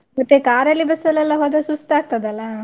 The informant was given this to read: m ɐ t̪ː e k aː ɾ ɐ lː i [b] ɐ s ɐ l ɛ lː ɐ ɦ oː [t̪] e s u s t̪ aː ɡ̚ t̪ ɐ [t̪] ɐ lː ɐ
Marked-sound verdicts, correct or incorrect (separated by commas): correct, incorrect, incorrect